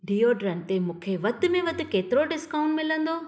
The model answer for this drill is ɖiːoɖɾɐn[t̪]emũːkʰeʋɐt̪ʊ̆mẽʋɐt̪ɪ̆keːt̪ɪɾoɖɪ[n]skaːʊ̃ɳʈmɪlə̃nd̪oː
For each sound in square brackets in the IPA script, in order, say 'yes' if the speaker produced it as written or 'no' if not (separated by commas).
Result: yes, no